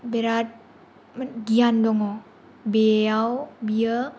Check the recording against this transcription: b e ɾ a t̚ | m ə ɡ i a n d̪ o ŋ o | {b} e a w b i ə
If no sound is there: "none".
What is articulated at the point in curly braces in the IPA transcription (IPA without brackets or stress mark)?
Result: b